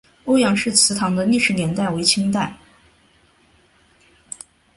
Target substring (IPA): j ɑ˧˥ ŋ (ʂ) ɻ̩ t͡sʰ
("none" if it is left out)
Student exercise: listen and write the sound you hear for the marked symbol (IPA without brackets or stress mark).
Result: ʂ